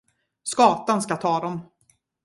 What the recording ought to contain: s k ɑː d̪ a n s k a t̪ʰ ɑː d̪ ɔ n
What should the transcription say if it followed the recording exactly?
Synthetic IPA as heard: s k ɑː t̪ a n s k a t̪ʰ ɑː d̪ ɔ m